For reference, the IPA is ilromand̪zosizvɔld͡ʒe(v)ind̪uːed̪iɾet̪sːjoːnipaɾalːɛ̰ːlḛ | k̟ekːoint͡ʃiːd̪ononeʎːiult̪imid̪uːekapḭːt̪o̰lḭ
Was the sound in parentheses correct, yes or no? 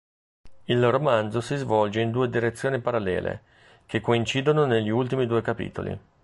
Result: no